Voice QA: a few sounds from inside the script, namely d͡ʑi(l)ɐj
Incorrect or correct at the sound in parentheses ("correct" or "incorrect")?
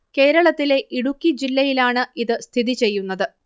incorrect